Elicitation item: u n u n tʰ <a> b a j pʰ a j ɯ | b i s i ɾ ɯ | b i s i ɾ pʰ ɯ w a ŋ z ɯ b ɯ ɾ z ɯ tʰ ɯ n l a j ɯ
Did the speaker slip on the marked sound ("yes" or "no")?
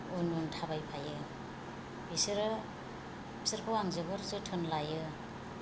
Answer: no